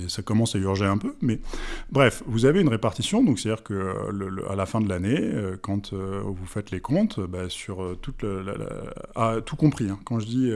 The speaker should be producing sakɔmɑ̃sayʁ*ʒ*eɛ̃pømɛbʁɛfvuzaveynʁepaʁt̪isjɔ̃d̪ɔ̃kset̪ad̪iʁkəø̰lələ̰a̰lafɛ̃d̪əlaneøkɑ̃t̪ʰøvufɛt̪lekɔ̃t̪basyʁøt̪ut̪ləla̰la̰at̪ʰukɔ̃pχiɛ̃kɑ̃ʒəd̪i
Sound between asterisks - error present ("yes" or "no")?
no